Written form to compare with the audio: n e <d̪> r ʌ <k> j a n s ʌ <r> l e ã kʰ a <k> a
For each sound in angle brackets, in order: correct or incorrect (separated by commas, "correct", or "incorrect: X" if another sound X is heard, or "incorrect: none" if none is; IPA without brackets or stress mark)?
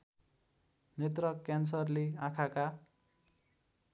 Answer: incorrect: t̪, correct, correct, correct